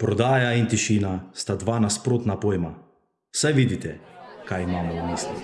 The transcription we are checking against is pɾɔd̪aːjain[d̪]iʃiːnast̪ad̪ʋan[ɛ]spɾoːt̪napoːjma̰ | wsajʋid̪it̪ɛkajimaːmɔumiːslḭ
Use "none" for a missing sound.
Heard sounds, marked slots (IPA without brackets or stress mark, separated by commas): t̪, a